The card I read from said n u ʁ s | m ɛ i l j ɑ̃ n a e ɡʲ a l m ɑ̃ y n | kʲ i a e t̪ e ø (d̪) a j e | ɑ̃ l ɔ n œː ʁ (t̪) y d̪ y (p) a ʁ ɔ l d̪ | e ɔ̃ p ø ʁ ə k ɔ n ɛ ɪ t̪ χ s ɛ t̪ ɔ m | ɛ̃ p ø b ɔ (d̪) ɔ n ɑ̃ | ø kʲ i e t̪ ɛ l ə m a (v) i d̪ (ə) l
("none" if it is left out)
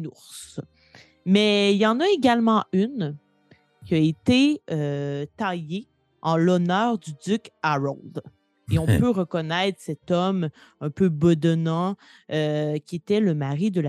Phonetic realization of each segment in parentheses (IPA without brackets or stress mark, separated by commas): t̪, d̪, k, d̪, ʁ, ə